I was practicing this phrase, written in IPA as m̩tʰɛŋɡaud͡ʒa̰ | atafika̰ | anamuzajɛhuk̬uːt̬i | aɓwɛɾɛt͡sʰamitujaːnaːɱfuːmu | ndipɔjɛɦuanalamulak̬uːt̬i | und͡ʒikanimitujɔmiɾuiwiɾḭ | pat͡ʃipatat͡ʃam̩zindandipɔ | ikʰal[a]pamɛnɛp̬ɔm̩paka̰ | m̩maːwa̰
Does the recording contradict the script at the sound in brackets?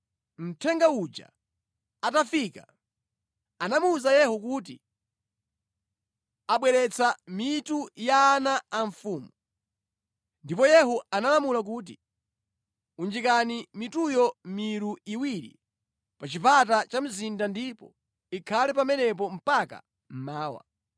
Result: yes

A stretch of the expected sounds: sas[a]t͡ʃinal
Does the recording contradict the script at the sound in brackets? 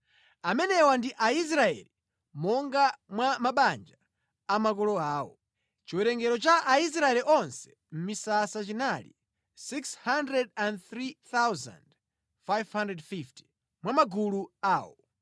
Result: no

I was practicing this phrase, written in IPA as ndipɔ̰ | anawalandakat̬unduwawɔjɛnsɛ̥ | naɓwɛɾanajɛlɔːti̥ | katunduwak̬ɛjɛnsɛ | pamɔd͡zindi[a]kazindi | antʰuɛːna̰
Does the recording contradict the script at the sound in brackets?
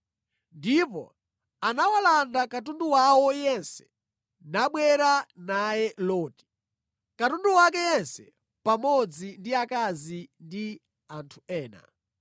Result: no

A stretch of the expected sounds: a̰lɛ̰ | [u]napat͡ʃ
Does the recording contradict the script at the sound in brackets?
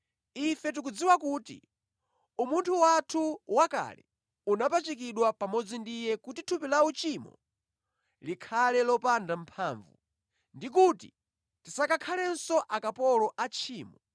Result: no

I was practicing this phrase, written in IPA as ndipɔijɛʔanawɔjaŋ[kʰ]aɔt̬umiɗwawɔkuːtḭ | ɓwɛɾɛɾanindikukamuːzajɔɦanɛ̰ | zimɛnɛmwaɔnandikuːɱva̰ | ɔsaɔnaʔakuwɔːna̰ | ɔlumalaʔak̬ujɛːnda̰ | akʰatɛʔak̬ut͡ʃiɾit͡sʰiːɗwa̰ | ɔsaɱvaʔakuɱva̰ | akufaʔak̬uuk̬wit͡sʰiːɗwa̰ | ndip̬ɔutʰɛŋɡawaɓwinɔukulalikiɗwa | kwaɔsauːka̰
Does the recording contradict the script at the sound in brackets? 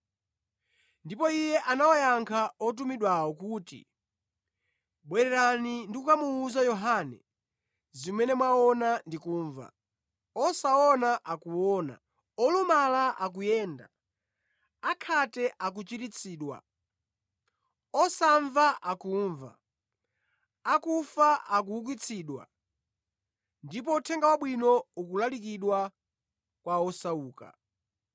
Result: no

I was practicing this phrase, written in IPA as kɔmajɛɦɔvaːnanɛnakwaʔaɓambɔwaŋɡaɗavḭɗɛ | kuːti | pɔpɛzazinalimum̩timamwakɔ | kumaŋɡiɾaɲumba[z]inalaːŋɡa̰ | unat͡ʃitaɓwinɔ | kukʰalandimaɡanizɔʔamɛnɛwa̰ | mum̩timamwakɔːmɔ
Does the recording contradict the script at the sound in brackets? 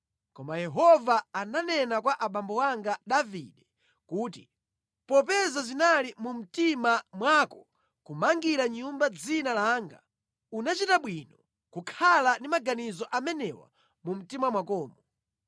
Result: yes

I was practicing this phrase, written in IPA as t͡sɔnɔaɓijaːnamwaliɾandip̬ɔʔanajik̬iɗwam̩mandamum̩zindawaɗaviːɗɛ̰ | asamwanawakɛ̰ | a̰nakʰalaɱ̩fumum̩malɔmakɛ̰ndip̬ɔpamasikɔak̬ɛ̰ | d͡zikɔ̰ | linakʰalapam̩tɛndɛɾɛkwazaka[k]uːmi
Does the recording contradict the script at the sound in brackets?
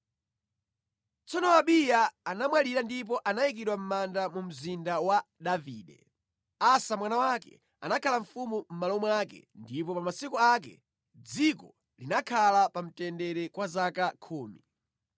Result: yes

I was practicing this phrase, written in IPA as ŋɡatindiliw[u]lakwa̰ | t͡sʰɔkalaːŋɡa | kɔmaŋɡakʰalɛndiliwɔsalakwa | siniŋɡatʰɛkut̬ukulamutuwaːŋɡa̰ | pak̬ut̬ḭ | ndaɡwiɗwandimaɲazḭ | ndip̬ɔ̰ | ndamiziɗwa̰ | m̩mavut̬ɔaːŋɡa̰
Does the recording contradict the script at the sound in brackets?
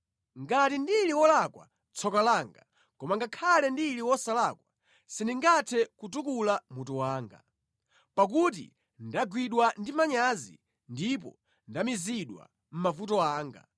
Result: yes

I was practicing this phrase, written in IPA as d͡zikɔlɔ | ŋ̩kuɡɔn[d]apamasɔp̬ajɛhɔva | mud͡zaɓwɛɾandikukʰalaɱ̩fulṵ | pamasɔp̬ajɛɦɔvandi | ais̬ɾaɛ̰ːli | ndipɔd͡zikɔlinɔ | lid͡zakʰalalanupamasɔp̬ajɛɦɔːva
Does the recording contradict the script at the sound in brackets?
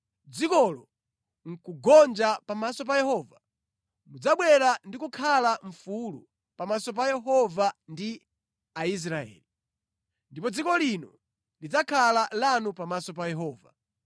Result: yes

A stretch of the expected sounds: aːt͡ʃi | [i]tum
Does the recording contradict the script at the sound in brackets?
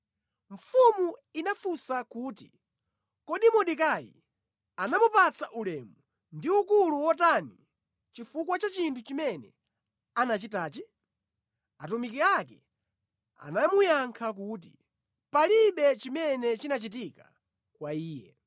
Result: yes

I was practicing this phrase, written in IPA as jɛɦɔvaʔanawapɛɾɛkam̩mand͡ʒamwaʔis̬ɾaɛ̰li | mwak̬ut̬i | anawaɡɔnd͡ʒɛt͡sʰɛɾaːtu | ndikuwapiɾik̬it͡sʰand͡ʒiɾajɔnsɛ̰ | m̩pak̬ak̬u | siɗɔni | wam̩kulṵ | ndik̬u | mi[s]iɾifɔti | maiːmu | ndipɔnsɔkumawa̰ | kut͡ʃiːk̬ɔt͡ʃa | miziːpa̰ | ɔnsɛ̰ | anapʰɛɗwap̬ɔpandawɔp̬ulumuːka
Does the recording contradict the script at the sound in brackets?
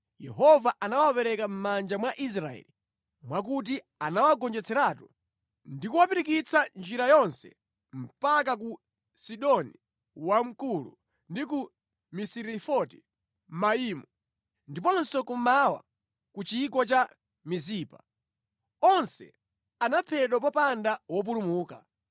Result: no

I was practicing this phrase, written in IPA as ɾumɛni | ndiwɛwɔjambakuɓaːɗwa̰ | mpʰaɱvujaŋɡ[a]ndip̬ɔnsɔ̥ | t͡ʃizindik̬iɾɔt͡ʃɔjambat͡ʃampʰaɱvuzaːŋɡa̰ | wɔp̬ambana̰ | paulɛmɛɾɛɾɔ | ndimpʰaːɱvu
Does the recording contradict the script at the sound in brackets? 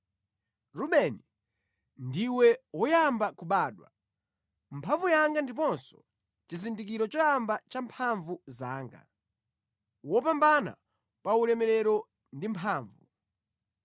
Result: no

